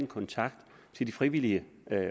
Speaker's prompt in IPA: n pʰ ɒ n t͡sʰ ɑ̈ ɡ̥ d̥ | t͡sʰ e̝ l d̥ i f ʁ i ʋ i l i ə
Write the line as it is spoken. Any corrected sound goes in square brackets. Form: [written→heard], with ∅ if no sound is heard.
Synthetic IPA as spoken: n [pʰ→kʰ] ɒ n t͡sʰ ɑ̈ ɡ̥ d̥ | t͡sʰ e̝ l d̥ i f ʁ i ʋ i l i ə